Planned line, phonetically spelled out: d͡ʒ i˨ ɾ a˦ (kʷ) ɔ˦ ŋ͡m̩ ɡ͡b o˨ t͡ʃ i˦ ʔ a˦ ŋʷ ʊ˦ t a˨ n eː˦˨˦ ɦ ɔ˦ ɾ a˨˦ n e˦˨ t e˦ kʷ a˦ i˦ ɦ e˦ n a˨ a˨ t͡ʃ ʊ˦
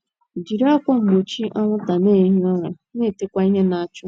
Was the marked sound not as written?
no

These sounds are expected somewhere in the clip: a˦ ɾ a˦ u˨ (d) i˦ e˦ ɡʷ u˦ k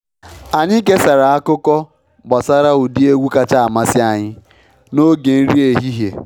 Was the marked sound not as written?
no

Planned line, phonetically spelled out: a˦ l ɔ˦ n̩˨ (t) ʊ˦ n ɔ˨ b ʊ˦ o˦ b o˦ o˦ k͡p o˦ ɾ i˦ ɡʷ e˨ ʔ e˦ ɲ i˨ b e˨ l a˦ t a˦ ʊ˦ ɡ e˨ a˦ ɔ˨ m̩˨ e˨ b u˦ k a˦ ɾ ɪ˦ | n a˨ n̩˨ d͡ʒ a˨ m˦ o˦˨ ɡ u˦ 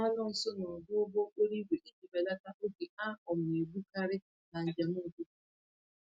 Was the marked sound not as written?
yes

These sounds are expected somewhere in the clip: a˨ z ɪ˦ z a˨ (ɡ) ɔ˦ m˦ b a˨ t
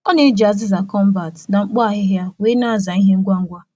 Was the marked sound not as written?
yes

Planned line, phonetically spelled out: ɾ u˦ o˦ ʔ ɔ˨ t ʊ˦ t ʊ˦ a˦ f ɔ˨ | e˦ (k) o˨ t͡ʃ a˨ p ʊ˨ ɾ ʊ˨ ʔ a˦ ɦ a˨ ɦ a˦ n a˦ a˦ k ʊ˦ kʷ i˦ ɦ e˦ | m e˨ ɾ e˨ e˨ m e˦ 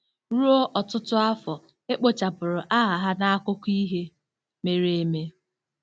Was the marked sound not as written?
yes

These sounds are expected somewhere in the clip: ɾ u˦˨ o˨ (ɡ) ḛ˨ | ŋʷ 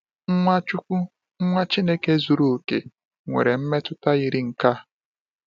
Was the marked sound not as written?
yes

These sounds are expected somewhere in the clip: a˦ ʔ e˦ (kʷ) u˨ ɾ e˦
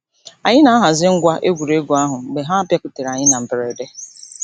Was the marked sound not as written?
yes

